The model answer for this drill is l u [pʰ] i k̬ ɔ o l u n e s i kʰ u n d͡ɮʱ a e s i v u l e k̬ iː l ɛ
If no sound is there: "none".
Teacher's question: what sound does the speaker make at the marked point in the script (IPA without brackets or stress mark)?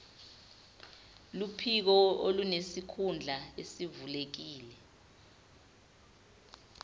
pʰ